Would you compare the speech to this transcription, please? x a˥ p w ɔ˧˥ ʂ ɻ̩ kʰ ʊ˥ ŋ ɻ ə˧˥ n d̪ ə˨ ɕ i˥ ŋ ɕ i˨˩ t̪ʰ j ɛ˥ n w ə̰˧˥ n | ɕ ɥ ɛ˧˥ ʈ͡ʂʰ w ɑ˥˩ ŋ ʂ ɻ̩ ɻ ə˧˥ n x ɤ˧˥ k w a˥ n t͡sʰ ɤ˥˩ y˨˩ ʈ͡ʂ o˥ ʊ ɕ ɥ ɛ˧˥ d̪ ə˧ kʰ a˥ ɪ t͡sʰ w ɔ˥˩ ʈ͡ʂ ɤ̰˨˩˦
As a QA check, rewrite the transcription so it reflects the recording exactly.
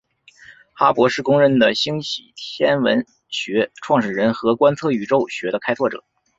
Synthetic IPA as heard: x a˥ p w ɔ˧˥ ʂ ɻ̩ k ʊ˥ ŋ ɻ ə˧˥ n d̪ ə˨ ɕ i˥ ŋ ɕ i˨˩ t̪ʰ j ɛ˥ n w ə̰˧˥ n | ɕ ɥ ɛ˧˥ ʈ͡ʂʰ w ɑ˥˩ ŋ ʂ ɻ̩ ɻ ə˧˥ n x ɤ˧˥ k w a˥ n t͡sʰ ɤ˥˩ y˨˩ ʈ͡ʂ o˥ ʊ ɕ ɥ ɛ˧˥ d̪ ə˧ kʰ a˥ ɪ t͡sʰ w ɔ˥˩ ʈ͡ʂ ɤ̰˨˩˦